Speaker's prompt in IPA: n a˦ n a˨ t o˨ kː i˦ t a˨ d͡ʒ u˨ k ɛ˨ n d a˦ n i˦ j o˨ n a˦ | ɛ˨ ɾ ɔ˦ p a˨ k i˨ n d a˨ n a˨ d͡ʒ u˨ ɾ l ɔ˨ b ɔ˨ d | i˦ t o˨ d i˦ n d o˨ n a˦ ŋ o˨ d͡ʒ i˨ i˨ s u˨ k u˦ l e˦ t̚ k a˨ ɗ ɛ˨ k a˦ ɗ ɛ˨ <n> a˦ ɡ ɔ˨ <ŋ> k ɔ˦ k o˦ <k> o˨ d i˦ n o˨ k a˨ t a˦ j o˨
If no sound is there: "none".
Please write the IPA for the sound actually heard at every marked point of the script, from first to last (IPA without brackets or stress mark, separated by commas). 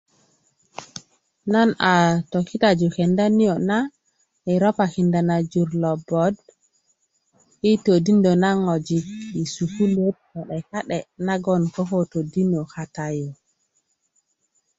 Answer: n, n, t